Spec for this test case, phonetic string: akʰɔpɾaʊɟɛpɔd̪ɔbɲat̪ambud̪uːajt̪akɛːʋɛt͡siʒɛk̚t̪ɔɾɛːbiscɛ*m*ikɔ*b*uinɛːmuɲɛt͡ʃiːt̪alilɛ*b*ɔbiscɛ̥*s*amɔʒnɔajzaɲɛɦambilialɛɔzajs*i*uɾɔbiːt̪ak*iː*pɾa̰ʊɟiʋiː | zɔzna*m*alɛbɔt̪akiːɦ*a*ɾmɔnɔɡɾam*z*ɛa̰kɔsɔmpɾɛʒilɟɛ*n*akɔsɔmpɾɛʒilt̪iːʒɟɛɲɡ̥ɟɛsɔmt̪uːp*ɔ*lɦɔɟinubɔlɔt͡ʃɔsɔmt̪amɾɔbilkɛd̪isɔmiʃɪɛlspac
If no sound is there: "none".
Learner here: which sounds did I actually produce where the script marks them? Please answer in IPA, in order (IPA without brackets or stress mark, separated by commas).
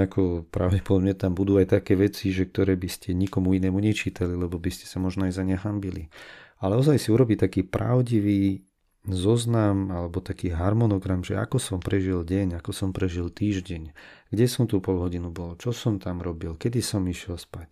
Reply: ɲ, m, b, s, i, iː, m, a, ʒ, ɲ, ɔ